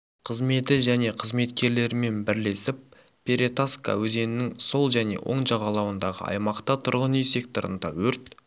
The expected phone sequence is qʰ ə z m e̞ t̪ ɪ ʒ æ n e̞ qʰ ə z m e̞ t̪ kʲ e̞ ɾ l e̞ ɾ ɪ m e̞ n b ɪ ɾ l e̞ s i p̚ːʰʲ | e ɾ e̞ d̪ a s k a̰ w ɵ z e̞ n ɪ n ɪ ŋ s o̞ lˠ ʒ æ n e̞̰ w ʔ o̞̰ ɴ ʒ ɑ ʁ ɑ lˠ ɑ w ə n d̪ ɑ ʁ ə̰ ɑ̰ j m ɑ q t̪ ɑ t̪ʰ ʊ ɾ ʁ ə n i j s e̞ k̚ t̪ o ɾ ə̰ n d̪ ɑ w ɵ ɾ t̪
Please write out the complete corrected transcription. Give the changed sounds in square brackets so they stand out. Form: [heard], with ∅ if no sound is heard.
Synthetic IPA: qʰ ə z m e̞ t̪ ɪ ʒ æ n e̞ qʰ ə z m e̞ t̪ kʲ e̞ ɾ l e̞ ɾ ɪ m e̞ n b ɪ ɾ l e̞ s [ɪ] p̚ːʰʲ | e ɾ e̞ [t̪] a s k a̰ w ɵ z e̞ n ɪ n ɪ ŋ s o̞ lˠ ʒ æ n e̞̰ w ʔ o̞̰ ɴ ʒ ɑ ʁ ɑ lˠ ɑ w ə n d̪ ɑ ʁ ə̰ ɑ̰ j m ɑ q t̪ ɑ t̪ʰ ʊ ɾ ʁ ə n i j s e̞ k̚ t̪ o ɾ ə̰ n d̪ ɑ w ɵ ɾ t̪